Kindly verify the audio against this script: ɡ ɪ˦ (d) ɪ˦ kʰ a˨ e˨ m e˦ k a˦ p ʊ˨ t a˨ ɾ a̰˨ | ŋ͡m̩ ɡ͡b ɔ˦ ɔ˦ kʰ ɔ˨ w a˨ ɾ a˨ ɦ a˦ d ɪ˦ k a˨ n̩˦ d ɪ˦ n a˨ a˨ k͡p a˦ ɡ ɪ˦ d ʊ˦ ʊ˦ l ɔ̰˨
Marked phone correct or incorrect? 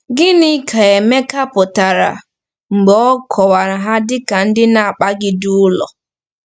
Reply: incorrect